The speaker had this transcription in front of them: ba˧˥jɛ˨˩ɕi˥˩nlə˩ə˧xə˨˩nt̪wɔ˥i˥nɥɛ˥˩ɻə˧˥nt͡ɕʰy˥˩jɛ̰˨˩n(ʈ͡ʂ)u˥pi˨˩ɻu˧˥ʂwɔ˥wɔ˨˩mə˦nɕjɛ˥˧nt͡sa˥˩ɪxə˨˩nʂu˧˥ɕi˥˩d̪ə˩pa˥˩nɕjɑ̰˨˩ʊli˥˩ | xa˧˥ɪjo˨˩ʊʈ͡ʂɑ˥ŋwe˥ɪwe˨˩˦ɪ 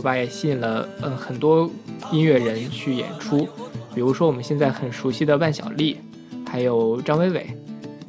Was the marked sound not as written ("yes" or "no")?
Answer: yes